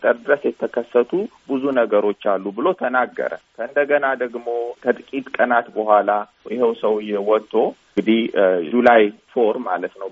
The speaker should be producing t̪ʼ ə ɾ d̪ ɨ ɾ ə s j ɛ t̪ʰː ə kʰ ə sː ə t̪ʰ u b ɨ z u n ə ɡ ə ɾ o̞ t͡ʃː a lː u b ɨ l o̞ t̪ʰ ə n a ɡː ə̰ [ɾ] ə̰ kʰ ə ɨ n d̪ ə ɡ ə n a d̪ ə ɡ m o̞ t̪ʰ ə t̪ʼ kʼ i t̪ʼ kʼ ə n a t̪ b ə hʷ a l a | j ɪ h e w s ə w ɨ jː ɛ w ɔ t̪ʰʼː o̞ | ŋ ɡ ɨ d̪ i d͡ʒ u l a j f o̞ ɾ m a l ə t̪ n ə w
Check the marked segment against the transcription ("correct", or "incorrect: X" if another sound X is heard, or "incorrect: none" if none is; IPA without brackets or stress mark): correct